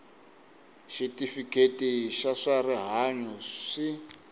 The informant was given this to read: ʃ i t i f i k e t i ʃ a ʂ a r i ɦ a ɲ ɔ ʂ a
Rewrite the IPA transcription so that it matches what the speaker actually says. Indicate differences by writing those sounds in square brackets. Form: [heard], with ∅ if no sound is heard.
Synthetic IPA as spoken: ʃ i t i f i k e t i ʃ a ʂ a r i ɦ a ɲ ɔ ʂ [i]